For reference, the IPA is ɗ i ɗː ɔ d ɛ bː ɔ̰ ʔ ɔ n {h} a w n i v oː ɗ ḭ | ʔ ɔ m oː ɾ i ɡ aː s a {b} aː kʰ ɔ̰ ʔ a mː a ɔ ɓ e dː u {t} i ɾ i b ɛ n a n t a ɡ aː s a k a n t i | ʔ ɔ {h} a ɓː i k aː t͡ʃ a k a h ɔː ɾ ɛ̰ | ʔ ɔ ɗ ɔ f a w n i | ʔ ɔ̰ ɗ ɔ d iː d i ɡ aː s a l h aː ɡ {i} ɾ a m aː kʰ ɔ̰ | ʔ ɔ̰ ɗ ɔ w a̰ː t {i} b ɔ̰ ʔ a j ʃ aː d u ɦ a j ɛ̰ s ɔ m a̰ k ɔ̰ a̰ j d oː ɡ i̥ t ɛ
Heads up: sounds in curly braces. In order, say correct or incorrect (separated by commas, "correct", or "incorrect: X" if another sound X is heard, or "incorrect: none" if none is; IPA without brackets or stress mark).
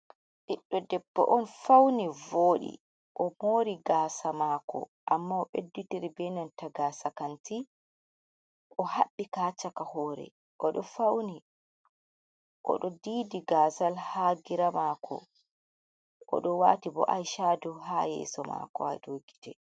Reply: incorrect: f, incorrect: m, correct, correct, correct, correct